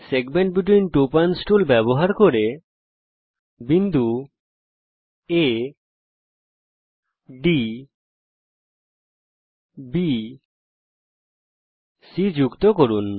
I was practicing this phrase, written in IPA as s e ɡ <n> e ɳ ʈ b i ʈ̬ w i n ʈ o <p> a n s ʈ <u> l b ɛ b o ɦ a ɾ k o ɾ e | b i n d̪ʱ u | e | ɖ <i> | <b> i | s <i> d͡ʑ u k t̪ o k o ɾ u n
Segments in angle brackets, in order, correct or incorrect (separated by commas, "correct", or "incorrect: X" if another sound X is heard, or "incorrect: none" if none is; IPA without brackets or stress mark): incorrect: m, correct, correct, correct, correct, correct